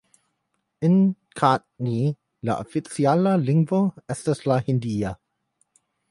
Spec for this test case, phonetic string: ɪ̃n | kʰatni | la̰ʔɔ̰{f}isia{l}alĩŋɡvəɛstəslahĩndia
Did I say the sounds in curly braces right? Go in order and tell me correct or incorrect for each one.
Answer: correct, correct

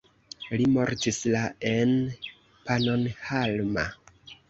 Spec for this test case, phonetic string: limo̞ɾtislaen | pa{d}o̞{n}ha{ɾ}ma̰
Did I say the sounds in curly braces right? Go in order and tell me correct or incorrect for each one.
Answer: incorrect: n, correct, incorrect: l

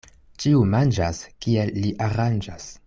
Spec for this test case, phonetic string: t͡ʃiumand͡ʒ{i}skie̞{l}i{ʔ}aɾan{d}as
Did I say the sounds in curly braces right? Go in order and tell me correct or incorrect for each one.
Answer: incorrect: a, incorrect: lː, correct, incorrect: d͡ʒ

